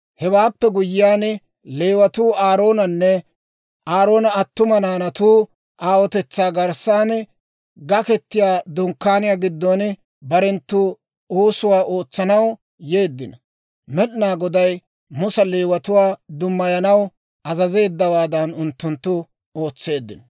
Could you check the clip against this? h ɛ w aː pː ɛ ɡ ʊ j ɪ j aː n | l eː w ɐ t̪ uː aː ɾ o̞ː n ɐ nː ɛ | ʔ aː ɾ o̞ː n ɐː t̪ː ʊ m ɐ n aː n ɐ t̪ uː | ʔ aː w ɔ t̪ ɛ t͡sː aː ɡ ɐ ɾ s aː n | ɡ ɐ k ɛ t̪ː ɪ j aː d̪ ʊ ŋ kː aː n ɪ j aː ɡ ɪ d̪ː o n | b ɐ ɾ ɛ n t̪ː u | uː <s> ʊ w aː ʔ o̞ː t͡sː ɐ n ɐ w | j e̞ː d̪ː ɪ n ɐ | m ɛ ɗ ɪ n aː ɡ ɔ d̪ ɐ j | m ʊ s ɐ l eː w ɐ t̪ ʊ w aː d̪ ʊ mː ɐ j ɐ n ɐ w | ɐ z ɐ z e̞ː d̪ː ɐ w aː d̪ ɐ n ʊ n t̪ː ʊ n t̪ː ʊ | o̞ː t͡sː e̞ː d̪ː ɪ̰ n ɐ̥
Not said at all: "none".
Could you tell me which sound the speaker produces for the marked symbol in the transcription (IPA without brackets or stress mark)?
s